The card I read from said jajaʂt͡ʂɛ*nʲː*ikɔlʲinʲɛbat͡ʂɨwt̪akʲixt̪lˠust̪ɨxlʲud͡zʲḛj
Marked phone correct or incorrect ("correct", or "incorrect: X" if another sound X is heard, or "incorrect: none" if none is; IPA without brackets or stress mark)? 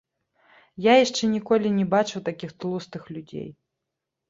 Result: incorrect: nʲ